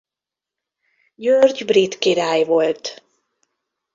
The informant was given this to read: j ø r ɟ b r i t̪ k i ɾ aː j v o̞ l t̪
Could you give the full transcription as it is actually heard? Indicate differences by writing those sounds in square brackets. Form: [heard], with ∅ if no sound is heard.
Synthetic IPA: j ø r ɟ b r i t̪ k i ɾ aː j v o̞ l t̪